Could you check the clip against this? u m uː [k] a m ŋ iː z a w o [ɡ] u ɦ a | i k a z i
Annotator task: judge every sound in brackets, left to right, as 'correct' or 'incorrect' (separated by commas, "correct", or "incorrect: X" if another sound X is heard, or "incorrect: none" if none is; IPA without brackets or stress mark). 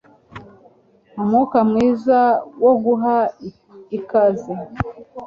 correct, correct